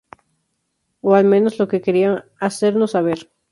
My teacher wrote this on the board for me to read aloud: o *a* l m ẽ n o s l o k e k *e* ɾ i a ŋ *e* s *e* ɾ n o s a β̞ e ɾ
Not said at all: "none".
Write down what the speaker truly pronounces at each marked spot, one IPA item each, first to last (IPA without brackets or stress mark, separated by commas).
a, e, a, e